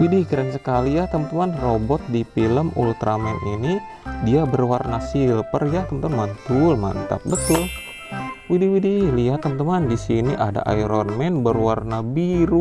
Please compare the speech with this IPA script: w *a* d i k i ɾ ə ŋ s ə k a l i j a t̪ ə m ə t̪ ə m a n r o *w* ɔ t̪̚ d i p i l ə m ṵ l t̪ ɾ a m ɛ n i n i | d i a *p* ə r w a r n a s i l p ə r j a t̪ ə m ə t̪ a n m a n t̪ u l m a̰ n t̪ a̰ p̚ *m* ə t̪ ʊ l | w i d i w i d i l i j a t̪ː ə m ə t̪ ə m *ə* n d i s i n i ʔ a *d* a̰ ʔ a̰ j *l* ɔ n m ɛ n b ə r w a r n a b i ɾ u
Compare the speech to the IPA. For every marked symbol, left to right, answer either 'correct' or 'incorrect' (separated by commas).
incorrect, incorrect, incorrect, incorrect, incorrect, correct, incorrect